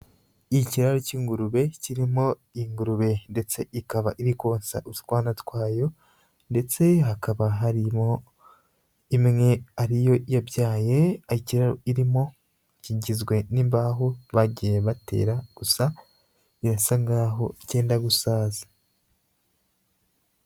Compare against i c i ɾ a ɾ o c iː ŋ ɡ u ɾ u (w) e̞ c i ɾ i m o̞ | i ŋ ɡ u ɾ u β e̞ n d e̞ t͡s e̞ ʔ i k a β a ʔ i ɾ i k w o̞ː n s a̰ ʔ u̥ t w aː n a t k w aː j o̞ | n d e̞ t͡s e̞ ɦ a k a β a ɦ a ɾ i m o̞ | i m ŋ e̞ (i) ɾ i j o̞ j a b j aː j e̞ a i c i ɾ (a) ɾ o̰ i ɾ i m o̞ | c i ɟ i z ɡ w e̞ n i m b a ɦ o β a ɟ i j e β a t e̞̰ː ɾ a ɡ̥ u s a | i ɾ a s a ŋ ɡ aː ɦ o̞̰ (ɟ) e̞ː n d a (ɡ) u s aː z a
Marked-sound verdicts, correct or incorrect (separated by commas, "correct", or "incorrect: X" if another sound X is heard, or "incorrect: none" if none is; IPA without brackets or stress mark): incorrect: β, incorrect: a, correct, incorrect: c, correct